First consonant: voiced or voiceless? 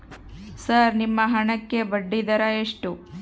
voiceless